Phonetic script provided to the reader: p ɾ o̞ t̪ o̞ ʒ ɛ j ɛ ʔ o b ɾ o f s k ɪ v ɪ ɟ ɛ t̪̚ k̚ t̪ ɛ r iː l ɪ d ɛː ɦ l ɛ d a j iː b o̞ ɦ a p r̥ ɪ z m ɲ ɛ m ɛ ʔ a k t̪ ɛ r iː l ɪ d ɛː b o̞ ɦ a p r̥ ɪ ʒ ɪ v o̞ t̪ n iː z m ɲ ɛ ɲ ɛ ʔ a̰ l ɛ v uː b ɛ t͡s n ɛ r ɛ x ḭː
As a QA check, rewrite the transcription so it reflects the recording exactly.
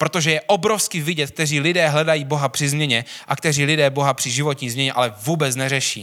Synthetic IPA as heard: p ɾ o̞ t̪ o̞ ʒ ɛ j ɛ ʔ o b ɾ o f s k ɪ v ɪ ɟ ɛ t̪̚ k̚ t̪ ɛ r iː l ɪ d ɛː ɦ l ɛ d a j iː b o̞ ɦ a p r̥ ɪ z m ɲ ɛ ɲ ɛ ʔ a k t̪ ɛ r iː l ɪ d ɛː b o̞ ɦ a p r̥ ɪ ʒ ɪ v o̞ t̪ ɲ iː z m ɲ ɛ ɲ ɛ ʔ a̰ l ɛ v uː b ɛ t͡s n ɛ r ɛ ʃ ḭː